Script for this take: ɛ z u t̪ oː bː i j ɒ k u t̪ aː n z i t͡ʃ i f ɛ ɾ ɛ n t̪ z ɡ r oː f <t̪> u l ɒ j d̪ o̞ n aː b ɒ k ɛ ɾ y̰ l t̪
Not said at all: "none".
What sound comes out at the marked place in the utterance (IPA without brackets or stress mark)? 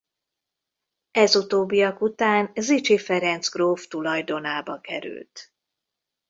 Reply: t̪